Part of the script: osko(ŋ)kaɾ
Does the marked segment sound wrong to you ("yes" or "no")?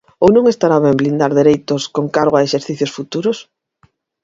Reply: no